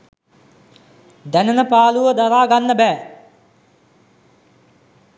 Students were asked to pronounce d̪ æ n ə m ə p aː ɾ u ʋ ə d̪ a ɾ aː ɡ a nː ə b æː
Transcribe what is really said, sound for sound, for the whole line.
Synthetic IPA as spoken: d̪ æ n ə n ə p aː l u ʋ ə d̪ a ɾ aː ɡ a nː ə b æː